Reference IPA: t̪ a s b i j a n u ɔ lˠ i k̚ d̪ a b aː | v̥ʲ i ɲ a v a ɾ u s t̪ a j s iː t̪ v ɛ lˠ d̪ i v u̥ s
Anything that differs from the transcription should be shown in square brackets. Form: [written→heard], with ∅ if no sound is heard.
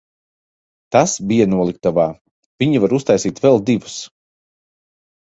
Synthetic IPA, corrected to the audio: t̪ a s b i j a n u ɔ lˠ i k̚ [d̪→t̪] a [b→v] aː | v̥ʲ i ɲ [a→i] v a ɾ u s t̪ a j s iː t̪ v ɛ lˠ d̪ i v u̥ s